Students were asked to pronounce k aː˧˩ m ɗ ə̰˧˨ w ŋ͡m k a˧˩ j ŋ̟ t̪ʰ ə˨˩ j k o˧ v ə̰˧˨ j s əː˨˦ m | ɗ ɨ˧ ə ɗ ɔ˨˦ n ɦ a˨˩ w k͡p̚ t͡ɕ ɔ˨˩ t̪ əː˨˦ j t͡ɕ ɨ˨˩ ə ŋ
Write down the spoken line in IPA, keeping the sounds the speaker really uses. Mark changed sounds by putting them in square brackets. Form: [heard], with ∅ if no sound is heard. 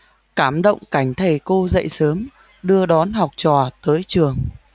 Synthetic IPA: k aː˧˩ m ɗ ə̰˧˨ w ŋ͡m k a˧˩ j ŋ̟ t̪ʰ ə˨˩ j k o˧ [z] ə̰˧˨ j s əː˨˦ m | ɗ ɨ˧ ə ɗ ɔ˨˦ n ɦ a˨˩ w k͡p̚ t͡ɕ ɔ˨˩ t̪ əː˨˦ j t͡ɕ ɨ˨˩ ə ŋ

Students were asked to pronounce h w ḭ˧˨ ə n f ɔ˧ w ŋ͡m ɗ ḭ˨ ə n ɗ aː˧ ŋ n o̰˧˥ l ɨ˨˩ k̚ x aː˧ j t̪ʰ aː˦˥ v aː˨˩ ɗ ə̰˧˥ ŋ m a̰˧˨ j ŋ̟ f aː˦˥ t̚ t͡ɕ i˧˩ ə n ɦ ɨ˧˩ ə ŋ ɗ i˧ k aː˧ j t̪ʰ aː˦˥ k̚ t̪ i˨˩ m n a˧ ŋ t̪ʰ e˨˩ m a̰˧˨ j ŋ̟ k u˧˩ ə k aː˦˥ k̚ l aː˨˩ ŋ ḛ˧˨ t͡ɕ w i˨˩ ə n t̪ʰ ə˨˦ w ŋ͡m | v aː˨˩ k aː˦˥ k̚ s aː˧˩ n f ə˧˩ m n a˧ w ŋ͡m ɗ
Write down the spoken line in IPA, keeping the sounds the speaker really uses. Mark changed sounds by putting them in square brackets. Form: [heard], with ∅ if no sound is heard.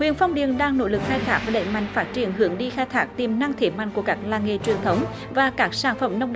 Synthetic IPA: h w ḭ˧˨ ə n f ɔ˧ w ŋ͡m ɗ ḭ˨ ə n ɗ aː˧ ŋ n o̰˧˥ l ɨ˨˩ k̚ x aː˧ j t̪ʰ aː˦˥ v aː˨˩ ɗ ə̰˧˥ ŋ m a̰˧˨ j ŋ̟ f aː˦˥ t̚ t͡ɕ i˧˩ ə n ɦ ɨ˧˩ ə ŋ ɗ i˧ [x] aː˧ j t̪ʰ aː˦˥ k̚ t̪ i˨˩ m n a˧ ŋ t̪ʰ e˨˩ m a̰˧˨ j ŋ̟ k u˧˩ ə k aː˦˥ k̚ l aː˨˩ ŋ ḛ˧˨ t͡ɕ w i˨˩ ə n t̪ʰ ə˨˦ w ŋ͡m | v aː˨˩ k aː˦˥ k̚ s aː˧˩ n f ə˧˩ m n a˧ w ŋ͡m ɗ

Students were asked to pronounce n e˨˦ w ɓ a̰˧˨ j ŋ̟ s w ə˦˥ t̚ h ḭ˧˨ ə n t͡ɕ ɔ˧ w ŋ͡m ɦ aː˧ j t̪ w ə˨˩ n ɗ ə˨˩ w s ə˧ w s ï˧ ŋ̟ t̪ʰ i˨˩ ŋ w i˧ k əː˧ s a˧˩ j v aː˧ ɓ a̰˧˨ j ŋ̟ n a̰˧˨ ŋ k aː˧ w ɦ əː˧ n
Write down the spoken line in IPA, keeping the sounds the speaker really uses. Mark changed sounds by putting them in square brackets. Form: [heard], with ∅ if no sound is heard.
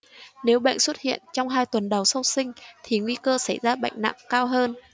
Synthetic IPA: n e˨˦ w ɓ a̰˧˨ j ŋ̟ s w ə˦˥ t̚ h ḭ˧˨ ə n t͡ɕ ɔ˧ w ŋ͡m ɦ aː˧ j t̪ w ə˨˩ n ɗ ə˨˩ w s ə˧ w s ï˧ ŋ̟ t̪ʰ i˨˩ ŋ w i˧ k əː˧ s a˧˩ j [z] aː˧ ɓ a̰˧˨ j ŋ̟ n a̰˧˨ ŋ k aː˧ w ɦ əː˧ n

